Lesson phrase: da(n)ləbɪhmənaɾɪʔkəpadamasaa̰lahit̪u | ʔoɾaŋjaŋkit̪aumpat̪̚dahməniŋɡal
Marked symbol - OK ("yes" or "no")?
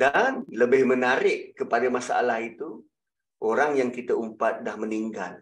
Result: yes